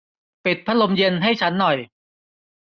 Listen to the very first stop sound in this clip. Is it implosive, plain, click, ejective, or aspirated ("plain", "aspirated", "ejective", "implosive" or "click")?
plain